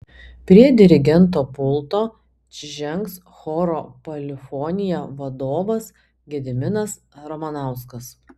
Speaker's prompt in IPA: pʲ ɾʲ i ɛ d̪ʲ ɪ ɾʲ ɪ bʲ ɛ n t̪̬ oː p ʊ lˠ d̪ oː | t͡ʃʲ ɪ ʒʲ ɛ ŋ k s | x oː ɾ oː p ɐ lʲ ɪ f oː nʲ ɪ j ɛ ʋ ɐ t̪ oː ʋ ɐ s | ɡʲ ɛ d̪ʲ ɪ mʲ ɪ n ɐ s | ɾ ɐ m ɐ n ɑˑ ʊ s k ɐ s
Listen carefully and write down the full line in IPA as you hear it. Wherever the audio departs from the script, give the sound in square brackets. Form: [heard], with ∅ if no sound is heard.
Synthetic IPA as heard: pʲ ɾʲ i ɛ d̪ʲ ɪ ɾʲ ɪ [ɡʲ] ɛ n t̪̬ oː p ʊ lˠ [t̪] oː | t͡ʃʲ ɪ ʒʲ ɛ ŋ k s | x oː ɾ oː p ɐ lʲ ɪ f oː nʲ ɪ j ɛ ʋ ɐ [d̪] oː ʋ ɐ s | ɡʲ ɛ d̪ʲ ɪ mʲ ɪ n ɐ s | ɾ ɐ m ɐ n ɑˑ ʊ s k ɐ s